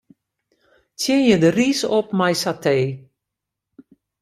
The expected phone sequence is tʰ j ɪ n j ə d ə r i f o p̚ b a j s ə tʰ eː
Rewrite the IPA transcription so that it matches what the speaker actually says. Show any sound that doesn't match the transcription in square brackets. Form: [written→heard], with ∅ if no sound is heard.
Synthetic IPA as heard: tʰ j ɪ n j ə d ə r i [f→s] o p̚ [b→m] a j s [ə→a] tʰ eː